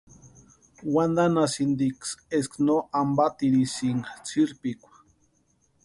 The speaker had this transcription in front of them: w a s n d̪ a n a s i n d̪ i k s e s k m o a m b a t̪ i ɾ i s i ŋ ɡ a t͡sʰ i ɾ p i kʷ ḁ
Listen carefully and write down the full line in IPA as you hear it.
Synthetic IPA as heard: w a n d̪ a n a s i n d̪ i k s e s k n o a m b a t̪ i ɾ i s i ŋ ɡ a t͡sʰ i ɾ p i kʷ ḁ